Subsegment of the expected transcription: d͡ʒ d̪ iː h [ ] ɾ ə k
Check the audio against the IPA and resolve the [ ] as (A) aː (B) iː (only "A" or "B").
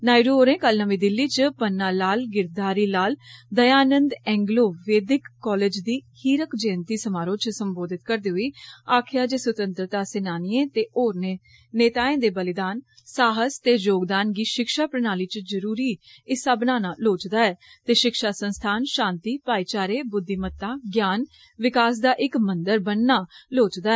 B